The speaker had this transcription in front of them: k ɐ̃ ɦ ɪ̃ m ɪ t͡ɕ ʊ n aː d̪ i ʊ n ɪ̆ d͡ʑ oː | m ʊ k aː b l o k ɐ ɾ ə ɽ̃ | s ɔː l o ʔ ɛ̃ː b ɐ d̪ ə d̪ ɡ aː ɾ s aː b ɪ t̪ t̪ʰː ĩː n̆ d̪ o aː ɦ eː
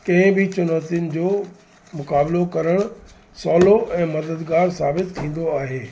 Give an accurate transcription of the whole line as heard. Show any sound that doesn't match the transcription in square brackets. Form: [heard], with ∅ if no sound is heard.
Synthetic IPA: k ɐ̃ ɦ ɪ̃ [b] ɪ t͡ɕ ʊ n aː [t̪] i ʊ n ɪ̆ d͡ʑ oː | m ʊ k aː b l o k ɐ ɾ ə ɽ̃ | s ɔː l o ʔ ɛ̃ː [m] ɐ d̪ ə d̪ ɡ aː ɾ s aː b ɪ t̪ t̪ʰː ĩː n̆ d̪ o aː ɦ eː

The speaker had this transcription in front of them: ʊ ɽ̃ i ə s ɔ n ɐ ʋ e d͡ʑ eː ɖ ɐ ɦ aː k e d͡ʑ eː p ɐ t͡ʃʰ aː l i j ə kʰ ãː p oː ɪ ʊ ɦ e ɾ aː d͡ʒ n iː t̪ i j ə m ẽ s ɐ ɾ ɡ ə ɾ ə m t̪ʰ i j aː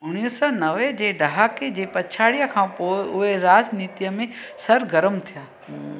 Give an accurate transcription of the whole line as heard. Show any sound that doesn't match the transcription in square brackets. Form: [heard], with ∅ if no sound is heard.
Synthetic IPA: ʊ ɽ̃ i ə s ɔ n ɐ ʋ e d͡ʑ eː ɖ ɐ ɦ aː k e d͡ʑ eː p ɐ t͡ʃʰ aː [ɽ] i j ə kʰ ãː p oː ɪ ʊ ɦ e ɾ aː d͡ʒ n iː t̪ i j ə m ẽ s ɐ ɾ ɡ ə ɾ ə m t̪ʰ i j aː

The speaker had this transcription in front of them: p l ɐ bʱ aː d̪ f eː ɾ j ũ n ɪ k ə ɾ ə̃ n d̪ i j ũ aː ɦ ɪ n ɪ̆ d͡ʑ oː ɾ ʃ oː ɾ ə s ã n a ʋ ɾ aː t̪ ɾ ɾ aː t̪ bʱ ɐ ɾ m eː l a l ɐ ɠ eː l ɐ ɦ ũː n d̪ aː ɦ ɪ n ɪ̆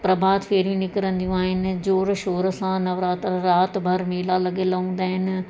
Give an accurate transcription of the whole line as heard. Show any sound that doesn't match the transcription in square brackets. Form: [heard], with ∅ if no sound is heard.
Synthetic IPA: p [ɾ] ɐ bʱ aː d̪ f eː ɾ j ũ n ɪ k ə ɾ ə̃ n d̪ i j ũ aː ɦ ɪ n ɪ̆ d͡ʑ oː ɾ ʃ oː ɾ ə s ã n [ɐ] ʋ ɾ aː t̪ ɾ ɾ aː t̪ bʱ ɐ ɾ m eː l a l ɐ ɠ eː l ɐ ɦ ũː n d̪ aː ɦ ɪ n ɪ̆

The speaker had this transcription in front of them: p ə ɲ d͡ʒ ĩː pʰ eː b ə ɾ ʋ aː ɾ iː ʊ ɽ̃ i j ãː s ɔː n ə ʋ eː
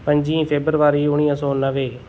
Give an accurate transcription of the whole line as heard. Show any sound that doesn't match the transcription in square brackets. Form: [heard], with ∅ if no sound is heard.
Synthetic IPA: p ə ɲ d͡ʒ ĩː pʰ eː b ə ɾ ʋ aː ɾ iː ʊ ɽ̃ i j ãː s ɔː n ə ʋ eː

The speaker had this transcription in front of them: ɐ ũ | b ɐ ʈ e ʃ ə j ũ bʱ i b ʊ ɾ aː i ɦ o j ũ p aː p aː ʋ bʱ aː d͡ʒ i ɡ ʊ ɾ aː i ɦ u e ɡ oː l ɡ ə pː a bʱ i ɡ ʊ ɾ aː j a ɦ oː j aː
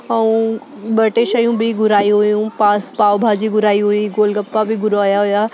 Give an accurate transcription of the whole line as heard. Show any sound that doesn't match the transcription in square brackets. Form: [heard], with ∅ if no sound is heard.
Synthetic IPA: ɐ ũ | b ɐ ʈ e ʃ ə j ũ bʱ i [ɡ] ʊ ɾ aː i ɦ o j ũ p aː p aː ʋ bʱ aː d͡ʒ i ɡ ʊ ɾ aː i ɦ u [i] ɡ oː l ɡ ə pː a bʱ i ɡ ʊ ɾ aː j a ɦ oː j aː

